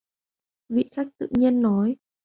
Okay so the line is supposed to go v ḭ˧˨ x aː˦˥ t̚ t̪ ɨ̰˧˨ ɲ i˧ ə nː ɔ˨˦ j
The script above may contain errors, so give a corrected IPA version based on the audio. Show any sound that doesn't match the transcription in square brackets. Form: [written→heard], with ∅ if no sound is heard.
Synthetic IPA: v ḭ˧˨ x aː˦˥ [t̚→k̚] t̪ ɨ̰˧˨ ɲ i˧ ə nː ɔ˨˦ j